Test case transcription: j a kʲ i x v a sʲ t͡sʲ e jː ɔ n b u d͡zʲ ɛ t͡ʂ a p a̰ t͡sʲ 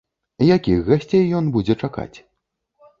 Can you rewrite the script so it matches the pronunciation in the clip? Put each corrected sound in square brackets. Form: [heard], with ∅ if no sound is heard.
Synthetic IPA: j a kʲ i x [ɣ] a sʲ t͡sʲ e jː ɔ n b u d͡zʲ ɛ t͡ʂ a [k] a̰ t͡sʲ